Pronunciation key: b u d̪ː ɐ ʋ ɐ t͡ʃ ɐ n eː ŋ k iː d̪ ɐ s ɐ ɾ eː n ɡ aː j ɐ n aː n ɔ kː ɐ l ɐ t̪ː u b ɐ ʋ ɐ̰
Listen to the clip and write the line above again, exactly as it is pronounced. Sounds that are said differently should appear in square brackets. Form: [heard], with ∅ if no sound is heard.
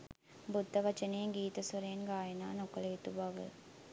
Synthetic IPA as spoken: b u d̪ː ɐ ʋ ɐ t͡ʃ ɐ n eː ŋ [ɡ] iː [t̪] ɐ s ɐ ɾ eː n ɡ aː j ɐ n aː n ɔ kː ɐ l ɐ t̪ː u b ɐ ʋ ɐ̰